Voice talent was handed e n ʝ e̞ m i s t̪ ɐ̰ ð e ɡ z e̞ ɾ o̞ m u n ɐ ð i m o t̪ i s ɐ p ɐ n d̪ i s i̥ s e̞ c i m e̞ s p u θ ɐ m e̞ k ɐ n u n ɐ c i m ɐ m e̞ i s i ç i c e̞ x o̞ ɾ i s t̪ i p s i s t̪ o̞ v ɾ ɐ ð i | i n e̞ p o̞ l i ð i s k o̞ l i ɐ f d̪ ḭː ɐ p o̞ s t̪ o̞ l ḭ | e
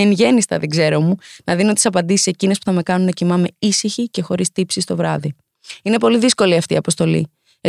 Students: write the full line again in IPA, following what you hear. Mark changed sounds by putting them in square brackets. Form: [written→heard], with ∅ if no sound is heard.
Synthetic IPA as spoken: e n ʝ e̞ [m→n] i s t̪ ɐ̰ ð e ɡ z e̞ ɾ o̞ m u n ɐ ð i [m→n] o t̪ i s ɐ p ɐ n d̪ i s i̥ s e̞ c i [m→n] e̞ s p u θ ɐ m e̞ k ɐ n u n ɐ c i m ɐ m e̞ i s i ç i c e̞ x o̞ ɾ i s t̪ i p s i s t̪ o̞ v ɾ ɐ ð i | i n e̞ p o̞ l i ð i s k o̞ l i ɐ f [d̪→t̪] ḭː ɐ p o̞ s t̪ o̞ l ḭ | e